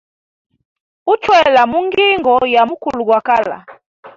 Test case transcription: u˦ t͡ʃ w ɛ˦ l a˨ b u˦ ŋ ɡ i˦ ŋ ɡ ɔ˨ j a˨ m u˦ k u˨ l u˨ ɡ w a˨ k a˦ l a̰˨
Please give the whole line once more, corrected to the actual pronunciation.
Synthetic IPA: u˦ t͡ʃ w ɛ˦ l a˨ m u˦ ŋ ɡ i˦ ŋ ɡ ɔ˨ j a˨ m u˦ k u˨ l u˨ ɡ w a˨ k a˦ l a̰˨